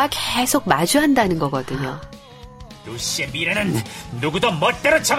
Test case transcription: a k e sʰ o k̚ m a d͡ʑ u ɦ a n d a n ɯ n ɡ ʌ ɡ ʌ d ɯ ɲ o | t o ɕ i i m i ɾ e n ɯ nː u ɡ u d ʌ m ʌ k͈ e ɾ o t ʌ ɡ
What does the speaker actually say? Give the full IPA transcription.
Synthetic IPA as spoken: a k e sʰ o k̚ m a d͡ʑ u ɦ a n d a n ɯ n ɡ ʌ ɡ ʌ d ɯ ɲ o | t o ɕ i e m i ɾ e n ɯ nː u ɡ u d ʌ m ʌ t͈ e ɾ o t͡ɕʰ ʌ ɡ